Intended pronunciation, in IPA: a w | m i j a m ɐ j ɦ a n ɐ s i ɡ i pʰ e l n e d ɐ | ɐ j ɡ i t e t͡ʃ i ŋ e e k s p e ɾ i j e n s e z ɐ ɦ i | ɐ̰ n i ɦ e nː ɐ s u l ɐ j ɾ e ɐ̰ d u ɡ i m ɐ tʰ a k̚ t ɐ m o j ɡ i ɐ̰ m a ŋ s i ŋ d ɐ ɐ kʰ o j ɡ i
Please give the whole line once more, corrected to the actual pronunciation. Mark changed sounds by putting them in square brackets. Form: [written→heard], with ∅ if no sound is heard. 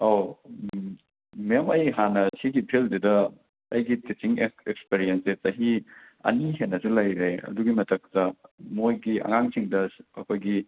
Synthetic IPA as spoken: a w | m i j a m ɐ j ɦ a n ɐ s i ɡ i pʰ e l [n→d] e d ɐ | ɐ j ɡ i t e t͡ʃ i ŋ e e k s p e ɾ i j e n s e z ɐ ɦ i | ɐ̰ n i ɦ e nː ɐ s u l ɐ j ɾ e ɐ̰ d u ɡ i m ɐ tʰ [a→ɐ] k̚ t ɐ m o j ɡ i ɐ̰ [m→ŋ] a ŋ s i ŋ d ɐ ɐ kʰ o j ɡ i